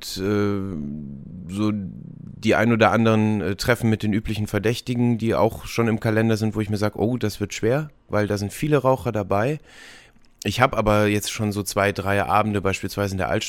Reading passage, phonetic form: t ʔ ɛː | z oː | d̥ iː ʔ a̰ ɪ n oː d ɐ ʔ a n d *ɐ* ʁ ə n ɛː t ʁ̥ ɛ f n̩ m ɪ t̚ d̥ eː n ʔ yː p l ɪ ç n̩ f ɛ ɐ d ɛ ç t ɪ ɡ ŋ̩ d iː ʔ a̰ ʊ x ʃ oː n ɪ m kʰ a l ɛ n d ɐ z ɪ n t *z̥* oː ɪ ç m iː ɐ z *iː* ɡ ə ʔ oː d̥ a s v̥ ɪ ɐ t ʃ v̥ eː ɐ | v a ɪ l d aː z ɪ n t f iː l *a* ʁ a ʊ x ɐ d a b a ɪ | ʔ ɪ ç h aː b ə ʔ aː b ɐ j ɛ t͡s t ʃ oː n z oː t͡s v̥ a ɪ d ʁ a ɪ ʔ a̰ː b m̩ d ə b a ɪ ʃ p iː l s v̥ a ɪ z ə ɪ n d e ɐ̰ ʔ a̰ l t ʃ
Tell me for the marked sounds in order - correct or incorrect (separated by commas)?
incorrect, incorrect, incorrect, incorrect